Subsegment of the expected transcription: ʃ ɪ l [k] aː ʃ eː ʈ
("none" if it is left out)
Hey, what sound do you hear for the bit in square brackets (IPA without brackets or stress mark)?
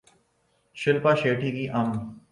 p